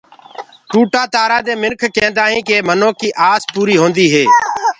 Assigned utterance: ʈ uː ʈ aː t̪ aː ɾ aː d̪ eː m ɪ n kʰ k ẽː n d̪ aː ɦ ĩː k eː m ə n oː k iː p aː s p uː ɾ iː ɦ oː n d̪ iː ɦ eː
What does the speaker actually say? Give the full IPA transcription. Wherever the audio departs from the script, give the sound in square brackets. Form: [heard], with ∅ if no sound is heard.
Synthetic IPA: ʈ uː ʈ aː t̪ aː ɾ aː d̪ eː m ɪ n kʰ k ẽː n d̪ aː ɦ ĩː k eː m ə n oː k iː [ʔ] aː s p uː ɾ iː ɦ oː n d̪ iː ɦ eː